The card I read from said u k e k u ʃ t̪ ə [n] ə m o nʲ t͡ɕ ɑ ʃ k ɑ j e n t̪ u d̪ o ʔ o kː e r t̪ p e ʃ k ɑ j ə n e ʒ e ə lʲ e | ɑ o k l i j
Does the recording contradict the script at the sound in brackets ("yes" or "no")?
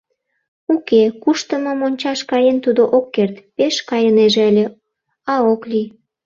yes